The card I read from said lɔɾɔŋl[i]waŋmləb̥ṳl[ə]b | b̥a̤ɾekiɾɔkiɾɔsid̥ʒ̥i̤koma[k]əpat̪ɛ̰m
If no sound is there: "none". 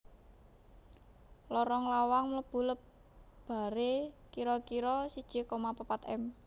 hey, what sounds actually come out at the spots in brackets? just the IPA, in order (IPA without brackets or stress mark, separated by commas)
a, ə, p